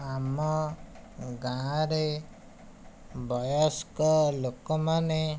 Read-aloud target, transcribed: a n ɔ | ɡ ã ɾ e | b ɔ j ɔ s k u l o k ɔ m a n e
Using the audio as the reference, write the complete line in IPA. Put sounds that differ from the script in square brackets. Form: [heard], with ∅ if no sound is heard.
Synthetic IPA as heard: a [m] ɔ | ɡ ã ɾ e | b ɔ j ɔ s k [ɔ] l o k ɔ m a n e